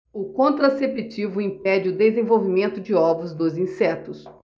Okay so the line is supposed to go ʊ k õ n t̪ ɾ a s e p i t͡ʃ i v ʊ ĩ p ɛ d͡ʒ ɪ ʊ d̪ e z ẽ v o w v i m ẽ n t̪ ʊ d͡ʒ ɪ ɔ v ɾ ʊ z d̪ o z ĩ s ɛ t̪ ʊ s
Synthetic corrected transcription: ʊ k õ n t̪ ɾ a s e p i t͡ʃ i v ʊ ĩ p ɛ d͡ʒ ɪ ʊ d̪ e z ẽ v o w v i m ẽ n t̪ ʊ d͡ʒ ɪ ɔ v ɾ ʊ z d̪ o z ĩ s ɛ t̪ ʊ s